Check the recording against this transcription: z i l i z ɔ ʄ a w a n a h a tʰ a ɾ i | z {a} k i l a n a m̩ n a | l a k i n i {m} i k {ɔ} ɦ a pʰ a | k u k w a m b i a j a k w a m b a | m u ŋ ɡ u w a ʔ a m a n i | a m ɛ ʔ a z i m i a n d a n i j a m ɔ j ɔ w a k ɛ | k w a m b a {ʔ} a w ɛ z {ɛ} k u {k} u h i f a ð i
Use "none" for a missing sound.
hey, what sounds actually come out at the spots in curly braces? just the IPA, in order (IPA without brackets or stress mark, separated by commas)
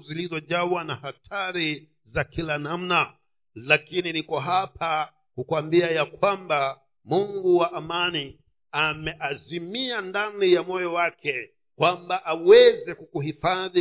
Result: a, n, ɔ, ʔ, ɛ, k